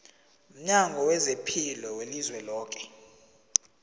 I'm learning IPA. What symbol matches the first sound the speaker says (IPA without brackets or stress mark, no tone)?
m̩